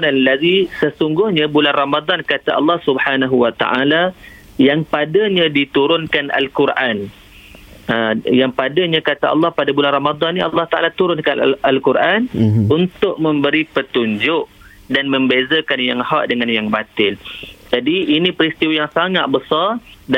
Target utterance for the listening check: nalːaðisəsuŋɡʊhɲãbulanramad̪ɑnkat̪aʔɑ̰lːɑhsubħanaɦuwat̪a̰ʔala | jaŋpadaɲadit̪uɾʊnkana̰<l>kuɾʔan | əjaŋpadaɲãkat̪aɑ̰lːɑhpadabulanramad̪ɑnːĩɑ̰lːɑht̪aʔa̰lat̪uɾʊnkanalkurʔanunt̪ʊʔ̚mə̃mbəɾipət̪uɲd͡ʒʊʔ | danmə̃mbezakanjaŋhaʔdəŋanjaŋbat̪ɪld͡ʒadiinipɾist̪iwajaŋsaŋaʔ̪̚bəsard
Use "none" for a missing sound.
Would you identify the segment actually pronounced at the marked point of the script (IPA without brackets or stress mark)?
l